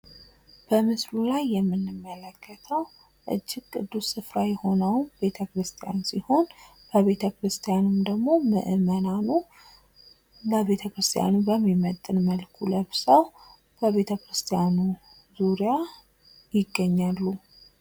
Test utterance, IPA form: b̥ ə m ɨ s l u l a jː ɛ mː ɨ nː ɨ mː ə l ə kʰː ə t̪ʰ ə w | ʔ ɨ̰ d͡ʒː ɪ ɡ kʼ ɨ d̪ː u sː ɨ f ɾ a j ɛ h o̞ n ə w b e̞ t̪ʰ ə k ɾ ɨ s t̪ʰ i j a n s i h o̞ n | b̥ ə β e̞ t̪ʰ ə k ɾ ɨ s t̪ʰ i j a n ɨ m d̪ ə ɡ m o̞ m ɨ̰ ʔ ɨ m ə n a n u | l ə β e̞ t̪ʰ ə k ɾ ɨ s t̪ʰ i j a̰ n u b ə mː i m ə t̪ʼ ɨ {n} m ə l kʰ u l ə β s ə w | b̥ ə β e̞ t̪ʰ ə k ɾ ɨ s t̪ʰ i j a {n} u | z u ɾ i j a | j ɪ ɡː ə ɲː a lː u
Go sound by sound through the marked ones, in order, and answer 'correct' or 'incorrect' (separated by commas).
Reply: correct, correct